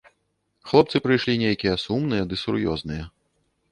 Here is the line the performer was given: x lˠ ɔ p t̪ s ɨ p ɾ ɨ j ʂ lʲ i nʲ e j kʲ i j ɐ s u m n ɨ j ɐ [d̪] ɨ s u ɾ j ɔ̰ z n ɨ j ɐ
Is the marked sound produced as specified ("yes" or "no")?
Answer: yes